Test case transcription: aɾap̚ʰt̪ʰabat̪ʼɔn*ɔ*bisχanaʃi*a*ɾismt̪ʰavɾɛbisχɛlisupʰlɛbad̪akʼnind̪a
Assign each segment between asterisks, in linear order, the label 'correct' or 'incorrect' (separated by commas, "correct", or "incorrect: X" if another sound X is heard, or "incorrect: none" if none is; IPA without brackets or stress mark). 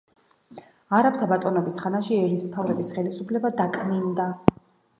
correct, incorrect: ɛ